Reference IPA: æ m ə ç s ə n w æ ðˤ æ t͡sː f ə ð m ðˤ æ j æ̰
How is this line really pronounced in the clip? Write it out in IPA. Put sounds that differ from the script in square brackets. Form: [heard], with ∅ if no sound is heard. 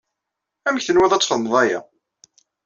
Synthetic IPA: æ m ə ç [θ] ə n w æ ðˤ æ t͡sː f ə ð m ðˤ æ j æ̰